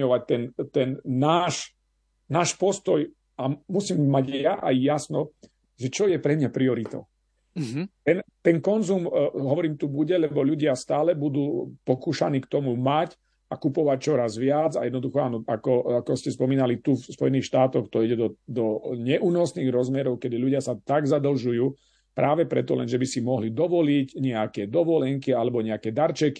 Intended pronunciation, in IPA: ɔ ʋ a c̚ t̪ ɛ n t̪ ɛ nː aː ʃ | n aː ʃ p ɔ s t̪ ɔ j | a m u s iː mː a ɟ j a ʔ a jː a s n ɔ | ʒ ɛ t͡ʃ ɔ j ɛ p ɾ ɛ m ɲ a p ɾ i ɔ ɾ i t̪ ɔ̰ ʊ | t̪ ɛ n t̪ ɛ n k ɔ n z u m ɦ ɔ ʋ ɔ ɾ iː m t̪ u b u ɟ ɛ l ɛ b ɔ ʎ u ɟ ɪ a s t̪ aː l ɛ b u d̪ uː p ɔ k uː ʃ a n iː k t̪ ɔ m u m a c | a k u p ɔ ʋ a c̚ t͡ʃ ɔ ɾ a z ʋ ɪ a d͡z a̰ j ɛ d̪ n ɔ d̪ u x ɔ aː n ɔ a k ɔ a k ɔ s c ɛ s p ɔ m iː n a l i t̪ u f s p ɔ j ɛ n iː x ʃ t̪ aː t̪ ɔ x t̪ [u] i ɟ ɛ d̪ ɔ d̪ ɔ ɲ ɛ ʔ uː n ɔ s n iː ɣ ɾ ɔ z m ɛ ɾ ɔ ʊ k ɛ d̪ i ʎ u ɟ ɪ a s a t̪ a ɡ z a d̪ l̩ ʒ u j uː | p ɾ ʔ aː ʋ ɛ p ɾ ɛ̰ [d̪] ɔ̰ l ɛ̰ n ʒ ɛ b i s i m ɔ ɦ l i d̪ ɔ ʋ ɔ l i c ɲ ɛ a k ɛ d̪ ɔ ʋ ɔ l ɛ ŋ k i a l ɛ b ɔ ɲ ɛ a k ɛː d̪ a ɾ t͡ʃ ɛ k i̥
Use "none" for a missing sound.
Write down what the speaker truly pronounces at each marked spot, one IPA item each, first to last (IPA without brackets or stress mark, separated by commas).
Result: ɔ, t̪